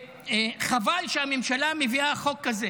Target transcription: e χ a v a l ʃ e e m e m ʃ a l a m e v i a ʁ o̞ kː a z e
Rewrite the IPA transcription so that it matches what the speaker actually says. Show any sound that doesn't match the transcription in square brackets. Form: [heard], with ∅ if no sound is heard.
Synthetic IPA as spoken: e χ a v a l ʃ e [a] m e m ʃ a l a m e v i a [χ] o̞ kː a z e